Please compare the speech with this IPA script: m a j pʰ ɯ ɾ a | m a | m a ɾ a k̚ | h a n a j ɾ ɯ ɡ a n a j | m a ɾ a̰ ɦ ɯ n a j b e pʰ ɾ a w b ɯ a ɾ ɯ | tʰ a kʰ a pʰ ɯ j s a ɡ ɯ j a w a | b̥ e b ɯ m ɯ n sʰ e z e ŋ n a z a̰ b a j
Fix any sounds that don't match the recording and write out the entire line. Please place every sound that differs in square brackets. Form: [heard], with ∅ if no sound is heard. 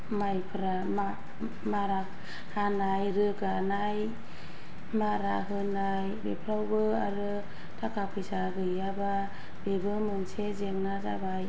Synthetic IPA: m a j pʰ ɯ ɾ a | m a | m a ɾ a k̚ | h a n a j ɾ ɯ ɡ a n a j | m a ɾ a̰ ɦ ɯ n a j b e pʰ ɾ a w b ɯ a ɾ ɯ | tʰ a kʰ a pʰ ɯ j s a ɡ ɯ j a [b] a | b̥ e b ɯ m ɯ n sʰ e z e ŋ n a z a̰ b a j